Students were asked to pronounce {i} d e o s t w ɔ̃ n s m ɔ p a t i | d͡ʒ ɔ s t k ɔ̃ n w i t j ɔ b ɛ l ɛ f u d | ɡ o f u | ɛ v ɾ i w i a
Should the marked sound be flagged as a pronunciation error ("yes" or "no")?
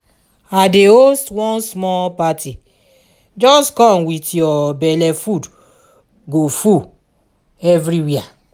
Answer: yes